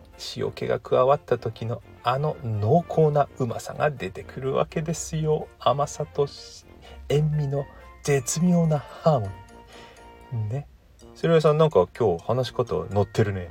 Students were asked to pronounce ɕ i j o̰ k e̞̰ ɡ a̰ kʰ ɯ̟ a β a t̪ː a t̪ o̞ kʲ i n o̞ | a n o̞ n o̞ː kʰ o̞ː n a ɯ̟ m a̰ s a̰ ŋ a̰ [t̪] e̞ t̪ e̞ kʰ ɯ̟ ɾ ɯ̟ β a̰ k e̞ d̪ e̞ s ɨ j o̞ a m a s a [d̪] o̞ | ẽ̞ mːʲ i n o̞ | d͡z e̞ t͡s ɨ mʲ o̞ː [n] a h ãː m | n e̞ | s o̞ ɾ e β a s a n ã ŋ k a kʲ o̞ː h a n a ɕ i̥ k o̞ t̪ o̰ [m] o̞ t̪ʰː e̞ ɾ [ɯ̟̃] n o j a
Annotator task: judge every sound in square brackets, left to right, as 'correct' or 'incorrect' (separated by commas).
incorrect, incorrect, correct, incorrect, incorrect